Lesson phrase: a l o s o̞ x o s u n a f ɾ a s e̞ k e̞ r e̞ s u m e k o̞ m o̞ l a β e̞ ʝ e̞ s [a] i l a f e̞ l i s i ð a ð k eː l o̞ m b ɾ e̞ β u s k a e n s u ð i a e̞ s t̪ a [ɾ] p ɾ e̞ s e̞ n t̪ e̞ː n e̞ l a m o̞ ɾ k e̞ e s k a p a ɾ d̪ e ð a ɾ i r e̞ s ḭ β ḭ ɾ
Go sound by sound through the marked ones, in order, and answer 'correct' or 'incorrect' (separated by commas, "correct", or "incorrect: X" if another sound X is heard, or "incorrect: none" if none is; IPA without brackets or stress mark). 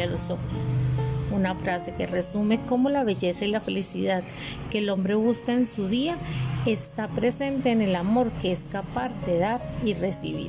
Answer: correct, incorrect: none